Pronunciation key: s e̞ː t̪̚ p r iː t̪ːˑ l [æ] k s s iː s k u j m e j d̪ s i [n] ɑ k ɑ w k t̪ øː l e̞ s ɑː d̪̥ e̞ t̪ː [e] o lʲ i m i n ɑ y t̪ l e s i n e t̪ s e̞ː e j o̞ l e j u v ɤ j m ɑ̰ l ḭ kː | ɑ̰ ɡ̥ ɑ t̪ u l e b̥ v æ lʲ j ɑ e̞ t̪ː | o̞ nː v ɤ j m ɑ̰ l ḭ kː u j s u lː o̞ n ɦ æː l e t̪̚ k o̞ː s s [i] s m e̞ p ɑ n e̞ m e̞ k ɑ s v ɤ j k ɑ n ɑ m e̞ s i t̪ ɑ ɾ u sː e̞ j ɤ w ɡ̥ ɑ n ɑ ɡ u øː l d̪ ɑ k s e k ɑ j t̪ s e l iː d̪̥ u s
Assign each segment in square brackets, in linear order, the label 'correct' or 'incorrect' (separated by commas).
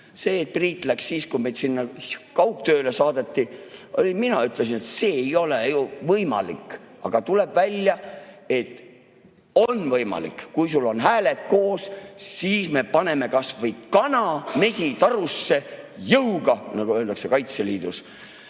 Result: correct, incorrect, incorrect, incorrect